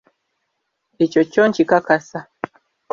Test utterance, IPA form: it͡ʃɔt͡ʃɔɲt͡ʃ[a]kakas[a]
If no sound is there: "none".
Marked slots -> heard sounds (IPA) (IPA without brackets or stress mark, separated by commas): i, a